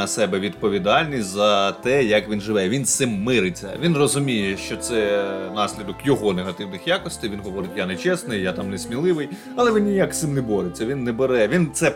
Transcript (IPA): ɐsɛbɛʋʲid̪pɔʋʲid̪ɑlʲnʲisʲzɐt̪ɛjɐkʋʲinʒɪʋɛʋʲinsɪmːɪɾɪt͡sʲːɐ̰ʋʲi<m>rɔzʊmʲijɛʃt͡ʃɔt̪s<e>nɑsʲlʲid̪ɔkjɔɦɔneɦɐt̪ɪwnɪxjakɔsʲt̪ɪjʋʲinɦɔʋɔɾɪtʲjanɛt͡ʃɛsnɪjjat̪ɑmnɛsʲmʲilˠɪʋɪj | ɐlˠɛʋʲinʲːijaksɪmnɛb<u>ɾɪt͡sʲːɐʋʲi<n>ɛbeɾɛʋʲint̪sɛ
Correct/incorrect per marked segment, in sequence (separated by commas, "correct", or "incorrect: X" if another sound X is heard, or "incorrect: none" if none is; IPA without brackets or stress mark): incorrect: n, incorrect: ɛ, incorrect: ɔ, incorrect: nː